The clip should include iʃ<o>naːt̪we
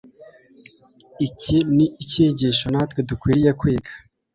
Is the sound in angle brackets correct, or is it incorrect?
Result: correct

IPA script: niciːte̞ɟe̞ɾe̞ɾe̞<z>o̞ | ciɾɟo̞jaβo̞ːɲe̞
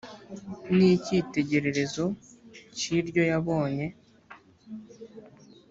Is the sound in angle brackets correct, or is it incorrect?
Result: correct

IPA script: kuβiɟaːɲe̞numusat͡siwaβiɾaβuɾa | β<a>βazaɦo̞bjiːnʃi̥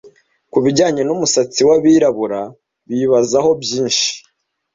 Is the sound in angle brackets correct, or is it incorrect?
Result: incorrect: i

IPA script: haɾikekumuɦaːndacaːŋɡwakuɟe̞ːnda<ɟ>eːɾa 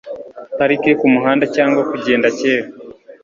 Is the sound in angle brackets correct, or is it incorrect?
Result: incorrect: c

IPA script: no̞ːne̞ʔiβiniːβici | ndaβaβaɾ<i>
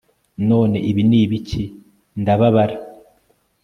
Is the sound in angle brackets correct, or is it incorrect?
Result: incorrect: a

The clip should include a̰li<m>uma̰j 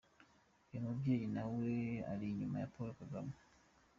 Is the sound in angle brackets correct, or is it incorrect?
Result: incorrect: ɲ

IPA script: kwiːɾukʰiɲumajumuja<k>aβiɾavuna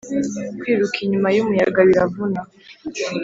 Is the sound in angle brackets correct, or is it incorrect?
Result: incorrect: ɡ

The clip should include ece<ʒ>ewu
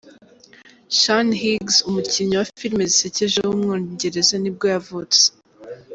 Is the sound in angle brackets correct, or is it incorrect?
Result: correct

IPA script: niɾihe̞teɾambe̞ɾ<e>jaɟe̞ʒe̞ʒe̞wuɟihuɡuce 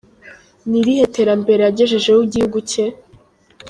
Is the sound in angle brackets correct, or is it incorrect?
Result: correct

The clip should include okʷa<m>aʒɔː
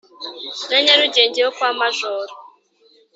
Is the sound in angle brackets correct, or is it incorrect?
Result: correct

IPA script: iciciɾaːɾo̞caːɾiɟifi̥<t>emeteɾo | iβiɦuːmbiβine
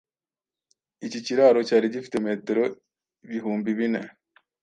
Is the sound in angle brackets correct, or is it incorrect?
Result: correct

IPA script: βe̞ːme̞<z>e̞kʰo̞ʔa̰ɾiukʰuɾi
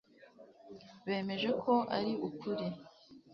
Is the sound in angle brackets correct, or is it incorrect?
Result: incorrect: ʒ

